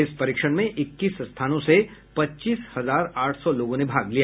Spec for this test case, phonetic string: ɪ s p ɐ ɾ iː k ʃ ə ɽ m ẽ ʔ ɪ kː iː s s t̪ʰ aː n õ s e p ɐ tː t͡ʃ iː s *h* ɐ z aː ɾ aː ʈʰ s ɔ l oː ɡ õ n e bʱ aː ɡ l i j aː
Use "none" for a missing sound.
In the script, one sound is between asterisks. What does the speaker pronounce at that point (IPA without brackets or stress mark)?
h